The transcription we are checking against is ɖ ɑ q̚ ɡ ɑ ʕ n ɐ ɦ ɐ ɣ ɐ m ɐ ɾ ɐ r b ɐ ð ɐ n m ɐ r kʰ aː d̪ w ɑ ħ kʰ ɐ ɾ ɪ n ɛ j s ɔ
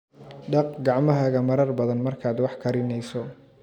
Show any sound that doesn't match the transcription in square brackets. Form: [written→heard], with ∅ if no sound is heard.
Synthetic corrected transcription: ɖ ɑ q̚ ɡ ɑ ʕ [n→m] ɐ ɦ ɐ ɣ ɐ m ɐ ɾ ɐ r b ɐ ð ɐ n m ɐ r kʰ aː d̪ w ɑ ħ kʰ ɐ ɾ ɪ n ɛ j s ɔ